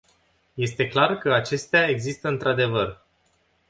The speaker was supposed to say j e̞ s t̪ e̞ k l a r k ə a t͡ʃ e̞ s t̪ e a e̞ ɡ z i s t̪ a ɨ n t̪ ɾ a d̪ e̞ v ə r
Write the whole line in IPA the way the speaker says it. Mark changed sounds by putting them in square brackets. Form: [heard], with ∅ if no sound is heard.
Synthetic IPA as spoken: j e̞ s t̪ e̞ k l a r k ə a t͡ʃ e̞ s t̪ e a e̞ ɡ z i s t̪ [ə] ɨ n t̪ ɾ a d̪ e̞ v ə r

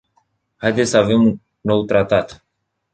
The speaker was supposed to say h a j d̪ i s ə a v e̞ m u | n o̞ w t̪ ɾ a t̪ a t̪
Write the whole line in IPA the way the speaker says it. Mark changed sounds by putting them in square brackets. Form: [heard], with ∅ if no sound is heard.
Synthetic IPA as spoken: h a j d̪ [e] s ə a v e̞ m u | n o̞ w t̪ ɾ a t̪ a t̪

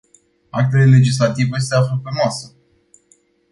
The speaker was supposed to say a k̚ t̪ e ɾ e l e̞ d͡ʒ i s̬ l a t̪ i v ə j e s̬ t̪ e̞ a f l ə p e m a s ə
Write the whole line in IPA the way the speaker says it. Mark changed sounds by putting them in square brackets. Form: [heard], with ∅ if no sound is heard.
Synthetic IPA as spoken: a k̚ t̪ e [l] e l e̞ d͡ʒ i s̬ l a t̪ i v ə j e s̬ t̪ e̞ a f l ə p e m a s ə

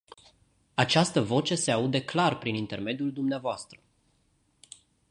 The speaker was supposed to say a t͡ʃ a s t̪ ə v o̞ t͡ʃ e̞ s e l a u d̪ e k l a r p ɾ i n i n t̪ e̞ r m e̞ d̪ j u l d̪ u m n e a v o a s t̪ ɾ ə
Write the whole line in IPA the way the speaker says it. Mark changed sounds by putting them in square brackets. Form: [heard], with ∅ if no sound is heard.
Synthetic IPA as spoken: a t͡ʃ a s t̪ ə v o̞ t͡ʃ e̞ s e [∅] a u d̪ e k l a r p ɾ i n i n t̪ e̞ r m e̞ d̪ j u l d̪ u m n e a v o a s t̪ ɾ ə

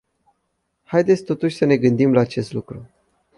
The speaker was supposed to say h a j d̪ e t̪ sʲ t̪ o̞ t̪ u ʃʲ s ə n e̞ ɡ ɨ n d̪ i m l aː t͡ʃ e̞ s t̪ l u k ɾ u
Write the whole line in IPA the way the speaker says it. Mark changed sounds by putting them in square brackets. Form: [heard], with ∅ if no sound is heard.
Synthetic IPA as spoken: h a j d̪ e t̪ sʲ t̪ o̞ t̪ u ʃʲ s ə n e̞ ɡ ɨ n d̪ i m l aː t͡ʃ e̞ s t̪ l u k ɾ u

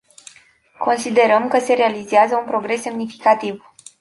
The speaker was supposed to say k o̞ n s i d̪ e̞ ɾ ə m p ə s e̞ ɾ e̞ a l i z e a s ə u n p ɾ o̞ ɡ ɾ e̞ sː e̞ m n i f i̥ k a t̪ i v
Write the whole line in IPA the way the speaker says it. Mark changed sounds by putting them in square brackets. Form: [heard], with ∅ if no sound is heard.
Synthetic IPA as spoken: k o̞ n s i d̪ e̞ ɾ ə m [k] ə s e̞ ɾ e̞ a l i z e a [z] ə u n p ɾ o̞ ɡ ɾ e̞ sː e̞ m n i f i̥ k a t̪ i v

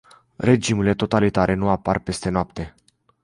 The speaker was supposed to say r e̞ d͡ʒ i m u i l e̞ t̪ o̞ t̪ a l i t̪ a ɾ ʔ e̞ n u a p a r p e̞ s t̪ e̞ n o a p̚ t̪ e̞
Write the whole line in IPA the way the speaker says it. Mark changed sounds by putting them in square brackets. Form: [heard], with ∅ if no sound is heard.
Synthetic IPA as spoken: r e̞ d͡ʒ i m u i l e̞ t̪ o̞ t̪ a l i t̪ a ɾ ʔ e̞ n u a p a r p e̞ s t̪ e̞ n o a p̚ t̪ e̞

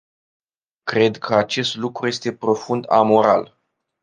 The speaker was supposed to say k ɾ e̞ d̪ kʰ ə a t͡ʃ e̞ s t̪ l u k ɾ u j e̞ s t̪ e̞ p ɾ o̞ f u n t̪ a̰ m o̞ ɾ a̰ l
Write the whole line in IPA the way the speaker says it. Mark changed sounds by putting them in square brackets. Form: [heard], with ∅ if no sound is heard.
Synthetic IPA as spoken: k ɾ e̞ d̪ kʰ ə a t͡ʃ e̞ s t̪ l u k ɾ u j e̞ s t̪ e̞ p ɾ o̞ f u n [d̪] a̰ m o̞ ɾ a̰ l

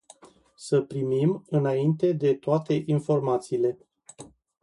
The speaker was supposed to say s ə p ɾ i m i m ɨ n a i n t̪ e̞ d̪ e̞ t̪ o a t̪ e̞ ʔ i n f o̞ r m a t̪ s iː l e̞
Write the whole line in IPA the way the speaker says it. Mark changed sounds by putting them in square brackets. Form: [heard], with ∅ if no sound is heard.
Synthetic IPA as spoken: s ə p ɾ i m i m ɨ n a i n t̪ e̞ d̪ e̞ t̪ o a t̪ e̞ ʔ i n f o̞ r m a t̪ s iː l e̞

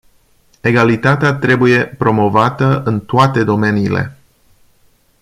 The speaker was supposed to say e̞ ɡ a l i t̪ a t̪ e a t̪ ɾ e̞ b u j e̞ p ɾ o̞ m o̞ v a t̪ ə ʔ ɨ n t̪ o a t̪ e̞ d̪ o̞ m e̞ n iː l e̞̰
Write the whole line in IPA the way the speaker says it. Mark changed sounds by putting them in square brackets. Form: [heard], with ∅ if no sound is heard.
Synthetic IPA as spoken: e̞ ɡ a l i t̪ a t̪ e a t̪ ɾ e̞ b u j e̞ p ɾ o̞ m o̞ v a t̪ ə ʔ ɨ n t̪ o a t̪ e̞ d̪ o̞ m e̞ n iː l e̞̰

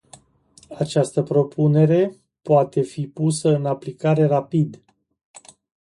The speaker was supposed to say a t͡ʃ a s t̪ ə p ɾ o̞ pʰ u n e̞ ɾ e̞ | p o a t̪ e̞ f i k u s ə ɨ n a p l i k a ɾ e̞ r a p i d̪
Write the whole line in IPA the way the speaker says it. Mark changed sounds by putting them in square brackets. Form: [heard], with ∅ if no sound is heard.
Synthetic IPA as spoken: a t͡ʃ a s t̪ ə p ɾ o̞ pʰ u n e̞ ɾ e̞ | p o a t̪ e̞ f i [p] u s ə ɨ n a p l i k a ɾ e̞ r a p i d̪

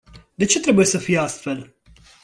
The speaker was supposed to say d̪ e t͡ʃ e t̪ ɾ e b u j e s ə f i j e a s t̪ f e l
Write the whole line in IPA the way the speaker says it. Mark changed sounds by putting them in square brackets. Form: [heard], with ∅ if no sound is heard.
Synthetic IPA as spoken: d̪ e t͡ʃ e t̪ ɾ e b u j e s ə f i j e a s t̪ f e l

